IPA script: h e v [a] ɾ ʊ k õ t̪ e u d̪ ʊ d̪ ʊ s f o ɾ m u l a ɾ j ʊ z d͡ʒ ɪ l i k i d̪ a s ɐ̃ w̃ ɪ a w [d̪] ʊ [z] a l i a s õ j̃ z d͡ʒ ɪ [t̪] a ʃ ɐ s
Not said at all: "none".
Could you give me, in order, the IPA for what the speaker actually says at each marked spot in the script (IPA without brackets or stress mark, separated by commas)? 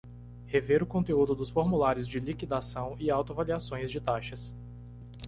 e, t̪, v, t̪